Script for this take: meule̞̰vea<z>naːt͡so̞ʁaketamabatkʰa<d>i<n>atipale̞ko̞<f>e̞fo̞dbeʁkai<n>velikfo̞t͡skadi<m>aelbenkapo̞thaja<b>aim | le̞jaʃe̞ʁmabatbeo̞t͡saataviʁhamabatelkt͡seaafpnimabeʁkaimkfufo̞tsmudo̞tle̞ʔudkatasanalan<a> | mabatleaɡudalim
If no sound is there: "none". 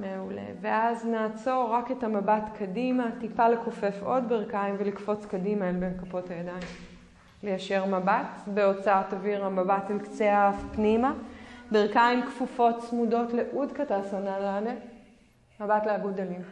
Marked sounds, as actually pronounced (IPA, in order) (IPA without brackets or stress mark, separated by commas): z, d, m, f, m, m, d, e